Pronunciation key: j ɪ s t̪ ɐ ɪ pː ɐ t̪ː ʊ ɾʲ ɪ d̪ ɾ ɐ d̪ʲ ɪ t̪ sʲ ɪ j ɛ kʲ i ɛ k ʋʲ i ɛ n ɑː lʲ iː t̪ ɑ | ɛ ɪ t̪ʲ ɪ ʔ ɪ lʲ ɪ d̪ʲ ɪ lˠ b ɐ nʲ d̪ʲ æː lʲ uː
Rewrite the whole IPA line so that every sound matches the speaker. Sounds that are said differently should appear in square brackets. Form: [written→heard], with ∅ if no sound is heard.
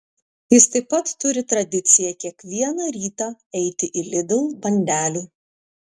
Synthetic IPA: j ɪ s t̪ ɐ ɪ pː ɐ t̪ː ʊ ɾʲ ɪ [d̪→t̪] ɾ ɐ d̪ʲ ɪ t̪ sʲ ɪ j ɛ kʲ i ɛ k ʋʲ i ɛ n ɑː [lʲ→ɾʲ] iː t̪ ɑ | ɛ ɪ t̪ʲ ɪ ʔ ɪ lʲ ɪ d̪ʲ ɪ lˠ b ɐ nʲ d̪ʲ æː lʲ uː